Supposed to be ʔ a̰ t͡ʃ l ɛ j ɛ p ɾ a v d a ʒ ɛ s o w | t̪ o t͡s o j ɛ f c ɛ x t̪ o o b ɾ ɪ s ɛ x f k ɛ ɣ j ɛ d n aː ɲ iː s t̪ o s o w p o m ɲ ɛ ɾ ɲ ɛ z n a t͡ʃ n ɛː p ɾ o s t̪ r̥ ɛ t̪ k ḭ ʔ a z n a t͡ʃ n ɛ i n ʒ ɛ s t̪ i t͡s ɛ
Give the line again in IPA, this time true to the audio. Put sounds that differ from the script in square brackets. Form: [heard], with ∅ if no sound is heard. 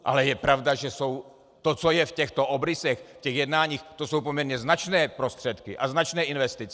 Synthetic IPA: ʔ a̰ [∅] l ɛ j ɛ p ɾ a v d a ʒ ɛ s o w | t̪ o t͡s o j ɛ f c ɛ x t̪ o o b ɾ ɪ s ɛ x f [c] ɛ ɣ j ɛ d n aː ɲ iː [x] t̪ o s o w p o m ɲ ɛ ɾ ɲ ɛ z n a t͡ʃ n ɛː p ɾ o s t̪ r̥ ɛ t̪ k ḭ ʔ a z n a t͡ʃ n [ɛː] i n [v] ɛ s t̪ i t͡s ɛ